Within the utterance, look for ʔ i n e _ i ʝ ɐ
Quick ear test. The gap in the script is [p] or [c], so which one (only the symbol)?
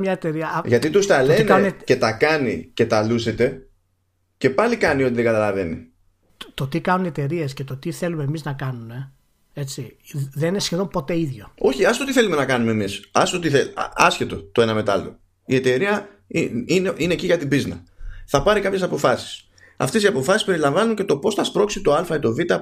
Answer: c